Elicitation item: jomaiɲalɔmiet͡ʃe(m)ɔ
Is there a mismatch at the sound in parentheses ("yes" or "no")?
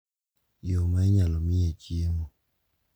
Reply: no